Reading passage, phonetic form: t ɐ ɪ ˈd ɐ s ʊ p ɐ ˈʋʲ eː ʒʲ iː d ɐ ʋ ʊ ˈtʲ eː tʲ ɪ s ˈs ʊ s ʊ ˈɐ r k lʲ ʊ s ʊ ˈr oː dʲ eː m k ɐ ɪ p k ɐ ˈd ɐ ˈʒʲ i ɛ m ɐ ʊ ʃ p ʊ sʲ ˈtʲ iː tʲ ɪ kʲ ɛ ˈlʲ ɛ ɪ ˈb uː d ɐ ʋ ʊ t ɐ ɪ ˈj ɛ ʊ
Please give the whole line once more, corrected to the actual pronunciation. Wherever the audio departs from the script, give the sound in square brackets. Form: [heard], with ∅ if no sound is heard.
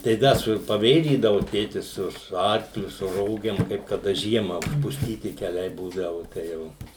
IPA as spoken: t ɐ ɪ ˈd ɐ s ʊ p ɐ ˈʋʲ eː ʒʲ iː d ɐ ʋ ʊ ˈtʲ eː tʲ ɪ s ˈs ʊ s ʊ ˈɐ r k lʲ ʊ s ʊ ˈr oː [ɡʲ] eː m k ɐ ɪ p k ɐ ˈd ɐ ˈʒʲ i ɛ m ɐ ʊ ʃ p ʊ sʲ ˈtʲ iː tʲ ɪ kʲ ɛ ˈlʲ ɛ ɪ ˈb uː d ɐ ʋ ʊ t ɐ ɪ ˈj ɛ ʊ